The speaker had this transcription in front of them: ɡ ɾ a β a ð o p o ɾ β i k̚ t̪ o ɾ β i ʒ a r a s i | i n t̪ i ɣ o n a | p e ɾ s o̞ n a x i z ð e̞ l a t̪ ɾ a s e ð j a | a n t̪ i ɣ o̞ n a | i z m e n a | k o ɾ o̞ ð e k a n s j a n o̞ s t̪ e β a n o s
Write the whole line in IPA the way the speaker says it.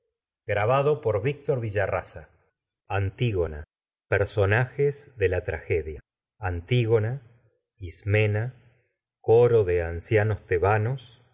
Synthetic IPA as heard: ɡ ɾ a β a ð o p o ɾ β i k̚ t̪ o ɾ β i ʒ a r a s a | a n t̪ i ɣ o n a | p e ɾ s o̞ n a x e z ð e̞ l a t̪ ɾ a x e ð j a | a n t̪ i ɣ o̞ n a | i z m e n a | k o ɾ o̞ ð e a n s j a n o̞ s t̪ e β a n o s